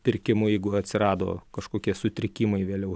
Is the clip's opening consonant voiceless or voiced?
voiceless